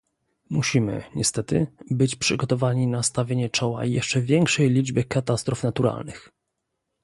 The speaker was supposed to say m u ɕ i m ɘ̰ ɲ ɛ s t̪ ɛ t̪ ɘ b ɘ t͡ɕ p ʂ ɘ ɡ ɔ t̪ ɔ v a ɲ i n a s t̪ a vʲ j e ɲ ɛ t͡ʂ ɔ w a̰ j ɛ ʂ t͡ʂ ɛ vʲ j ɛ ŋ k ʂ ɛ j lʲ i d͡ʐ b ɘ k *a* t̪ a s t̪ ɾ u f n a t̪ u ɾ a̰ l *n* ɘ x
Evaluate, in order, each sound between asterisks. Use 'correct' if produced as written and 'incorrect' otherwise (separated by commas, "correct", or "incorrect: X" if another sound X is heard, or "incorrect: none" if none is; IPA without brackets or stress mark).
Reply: correct, correct